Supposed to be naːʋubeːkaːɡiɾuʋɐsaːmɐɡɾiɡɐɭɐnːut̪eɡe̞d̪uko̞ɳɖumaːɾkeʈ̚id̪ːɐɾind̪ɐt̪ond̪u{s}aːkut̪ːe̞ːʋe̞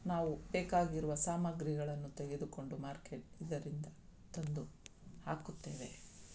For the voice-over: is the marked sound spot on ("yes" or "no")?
no